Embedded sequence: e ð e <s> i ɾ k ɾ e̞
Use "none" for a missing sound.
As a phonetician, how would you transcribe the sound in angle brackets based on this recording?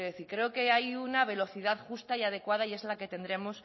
θ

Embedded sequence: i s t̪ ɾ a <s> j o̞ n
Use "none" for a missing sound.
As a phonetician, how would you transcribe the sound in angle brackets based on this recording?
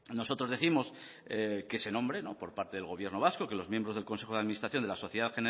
θ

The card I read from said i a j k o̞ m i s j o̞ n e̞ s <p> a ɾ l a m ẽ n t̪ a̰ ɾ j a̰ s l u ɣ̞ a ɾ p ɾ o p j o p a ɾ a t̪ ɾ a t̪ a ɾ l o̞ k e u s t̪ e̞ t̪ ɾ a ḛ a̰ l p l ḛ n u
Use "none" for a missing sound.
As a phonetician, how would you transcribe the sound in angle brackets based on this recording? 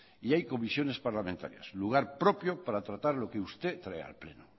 p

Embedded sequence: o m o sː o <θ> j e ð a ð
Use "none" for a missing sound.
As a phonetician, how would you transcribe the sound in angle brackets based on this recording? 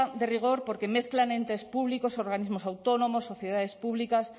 θ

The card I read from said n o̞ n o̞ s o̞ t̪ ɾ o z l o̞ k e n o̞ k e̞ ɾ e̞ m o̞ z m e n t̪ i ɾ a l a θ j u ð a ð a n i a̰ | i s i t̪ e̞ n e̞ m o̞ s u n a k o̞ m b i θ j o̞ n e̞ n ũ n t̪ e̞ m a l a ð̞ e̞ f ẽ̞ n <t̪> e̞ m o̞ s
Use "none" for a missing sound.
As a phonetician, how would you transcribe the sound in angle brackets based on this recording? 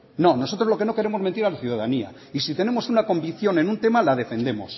d̪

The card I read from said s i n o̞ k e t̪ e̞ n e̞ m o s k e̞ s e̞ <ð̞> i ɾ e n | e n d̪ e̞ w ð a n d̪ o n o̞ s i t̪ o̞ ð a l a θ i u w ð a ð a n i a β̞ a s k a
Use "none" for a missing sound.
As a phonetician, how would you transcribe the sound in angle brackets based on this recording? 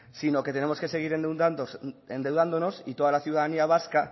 ɣ̞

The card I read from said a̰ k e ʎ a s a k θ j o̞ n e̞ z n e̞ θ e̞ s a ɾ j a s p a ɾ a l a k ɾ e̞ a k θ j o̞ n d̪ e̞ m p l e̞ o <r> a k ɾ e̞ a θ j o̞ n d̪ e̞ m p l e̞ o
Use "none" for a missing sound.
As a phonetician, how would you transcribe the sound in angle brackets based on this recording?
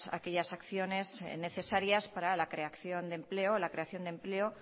l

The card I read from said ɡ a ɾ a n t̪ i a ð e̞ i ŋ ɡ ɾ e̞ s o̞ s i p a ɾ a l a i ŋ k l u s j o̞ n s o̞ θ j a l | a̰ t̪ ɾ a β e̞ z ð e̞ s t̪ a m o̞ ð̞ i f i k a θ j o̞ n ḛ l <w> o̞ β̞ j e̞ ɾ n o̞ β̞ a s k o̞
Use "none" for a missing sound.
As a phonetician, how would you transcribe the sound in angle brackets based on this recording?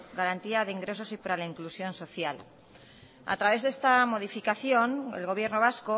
ɣ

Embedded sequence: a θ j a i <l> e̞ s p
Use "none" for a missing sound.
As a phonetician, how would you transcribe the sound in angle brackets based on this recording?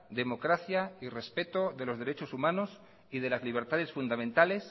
r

